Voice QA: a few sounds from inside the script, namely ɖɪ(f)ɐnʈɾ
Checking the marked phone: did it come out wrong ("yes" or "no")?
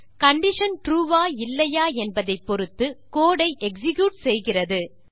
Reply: yes